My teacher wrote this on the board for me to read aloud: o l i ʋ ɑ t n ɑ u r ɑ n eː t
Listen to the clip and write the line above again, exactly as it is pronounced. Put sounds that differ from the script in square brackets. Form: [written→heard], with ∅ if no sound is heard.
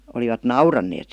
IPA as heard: o l i ʋ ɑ t n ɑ u r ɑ [n→nː] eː t